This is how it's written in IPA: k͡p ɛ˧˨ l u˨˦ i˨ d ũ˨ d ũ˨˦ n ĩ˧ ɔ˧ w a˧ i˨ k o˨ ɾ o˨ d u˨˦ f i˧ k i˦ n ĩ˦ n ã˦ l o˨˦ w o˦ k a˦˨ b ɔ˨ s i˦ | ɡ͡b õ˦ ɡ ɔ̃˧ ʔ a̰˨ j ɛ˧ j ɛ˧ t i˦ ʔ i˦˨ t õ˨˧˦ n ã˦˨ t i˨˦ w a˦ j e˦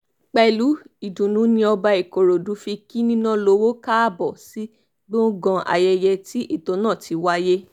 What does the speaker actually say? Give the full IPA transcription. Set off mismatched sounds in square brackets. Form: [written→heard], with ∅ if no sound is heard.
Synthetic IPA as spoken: k͡p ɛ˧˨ l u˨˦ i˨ d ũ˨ [d→n] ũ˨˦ n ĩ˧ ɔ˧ [w→b] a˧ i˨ k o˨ ɾ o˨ d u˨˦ f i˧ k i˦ n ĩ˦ n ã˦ l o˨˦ w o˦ k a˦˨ b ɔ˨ s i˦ | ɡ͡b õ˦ ɡ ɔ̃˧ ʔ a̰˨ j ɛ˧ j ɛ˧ t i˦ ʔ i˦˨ t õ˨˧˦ n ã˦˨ t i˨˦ w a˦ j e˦